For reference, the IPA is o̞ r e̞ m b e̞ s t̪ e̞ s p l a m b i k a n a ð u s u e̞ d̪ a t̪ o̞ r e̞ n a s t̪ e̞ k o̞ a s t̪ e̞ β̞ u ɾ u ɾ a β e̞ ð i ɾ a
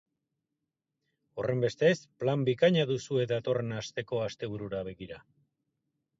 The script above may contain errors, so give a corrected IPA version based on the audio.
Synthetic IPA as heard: o̞ r e̞ m b e̞ s t̪ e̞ s p l a m b i k a ɲ a ð u s u e̞ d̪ a t̪ o̞ r e̞ n a s t̪ e̞ k o̞ a s t̪ e̞ β̞ u ɾ u ɾ a β e̞ ɣ i ɾ a